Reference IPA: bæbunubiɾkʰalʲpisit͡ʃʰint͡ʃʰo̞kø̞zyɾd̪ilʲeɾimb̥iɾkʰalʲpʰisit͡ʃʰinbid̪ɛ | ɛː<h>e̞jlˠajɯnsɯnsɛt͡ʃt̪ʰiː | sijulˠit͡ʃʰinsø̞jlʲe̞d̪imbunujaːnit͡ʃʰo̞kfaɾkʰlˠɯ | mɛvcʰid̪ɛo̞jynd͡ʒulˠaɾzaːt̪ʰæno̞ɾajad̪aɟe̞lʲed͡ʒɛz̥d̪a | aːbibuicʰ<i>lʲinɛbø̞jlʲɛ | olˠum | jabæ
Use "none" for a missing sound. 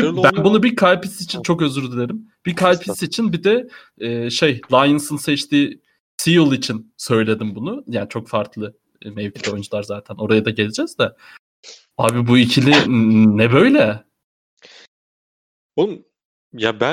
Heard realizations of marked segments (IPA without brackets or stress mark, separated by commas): ʃ, i